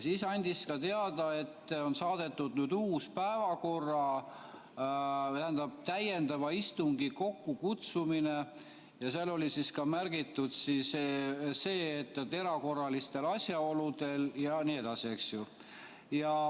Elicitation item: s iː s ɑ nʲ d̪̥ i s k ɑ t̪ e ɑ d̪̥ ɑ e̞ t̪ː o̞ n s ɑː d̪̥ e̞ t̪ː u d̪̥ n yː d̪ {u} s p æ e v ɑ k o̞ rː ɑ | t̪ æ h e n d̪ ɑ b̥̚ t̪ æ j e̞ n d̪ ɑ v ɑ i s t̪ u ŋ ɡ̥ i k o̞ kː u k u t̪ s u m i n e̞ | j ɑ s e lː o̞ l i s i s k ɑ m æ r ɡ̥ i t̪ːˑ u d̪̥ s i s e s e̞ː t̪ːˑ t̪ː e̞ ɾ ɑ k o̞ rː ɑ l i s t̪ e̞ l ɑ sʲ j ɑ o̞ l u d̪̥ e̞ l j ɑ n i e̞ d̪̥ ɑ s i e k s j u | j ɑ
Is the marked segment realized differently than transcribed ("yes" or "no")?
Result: yes